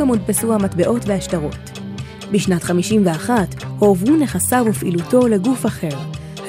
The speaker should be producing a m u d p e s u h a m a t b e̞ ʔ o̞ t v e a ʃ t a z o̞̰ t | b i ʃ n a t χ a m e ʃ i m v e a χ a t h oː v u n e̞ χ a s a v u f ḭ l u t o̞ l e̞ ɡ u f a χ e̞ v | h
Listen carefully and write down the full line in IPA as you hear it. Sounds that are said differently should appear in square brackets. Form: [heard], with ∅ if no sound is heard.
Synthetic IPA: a m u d p e s u h a m a t b e̞ ʔ o̞ t v e a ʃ t a [ʁ] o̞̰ t | b i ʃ n a t χ a m [i] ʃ i m v e a χ a t h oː v u n e̞ χ a s a v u f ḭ l u t o̞ l e̞ ɡ u f a χ e̞ [ʁ] | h